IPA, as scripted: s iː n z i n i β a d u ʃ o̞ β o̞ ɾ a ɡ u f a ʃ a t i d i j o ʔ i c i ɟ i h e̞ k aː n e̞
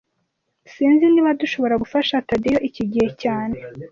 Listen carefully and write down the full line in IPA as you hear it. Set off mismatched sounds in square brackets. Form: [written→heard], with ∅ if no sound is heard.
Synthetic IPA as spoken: s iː n z i n i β a d u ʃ o̞ β o̞ ɾ a ɡ u f a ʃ a t [i→a] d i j o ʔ i c i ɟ i h e̞ [k→c] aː n e̞